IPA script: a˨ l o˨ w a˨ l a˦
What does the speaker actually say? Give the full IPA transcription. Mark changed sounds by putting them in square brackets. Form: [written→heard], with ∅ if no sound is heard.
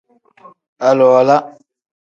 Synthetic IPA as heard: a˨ l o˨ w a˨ l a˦